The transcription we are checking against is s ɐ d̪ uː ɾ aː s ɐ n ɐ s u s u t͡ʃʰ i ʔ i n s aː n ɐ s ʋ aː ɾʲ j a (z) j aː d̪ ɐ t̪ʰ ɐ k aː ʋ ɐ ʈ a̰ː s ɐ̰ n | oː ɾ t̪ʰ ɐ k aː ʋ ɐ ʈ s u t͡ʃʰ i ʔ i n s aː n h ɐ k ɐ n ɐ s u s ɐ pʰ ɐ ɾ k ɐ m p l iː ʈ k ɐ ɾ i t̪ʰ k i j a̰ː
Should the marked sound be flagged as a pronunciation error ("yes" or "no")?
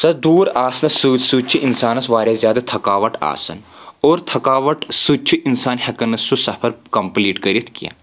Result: no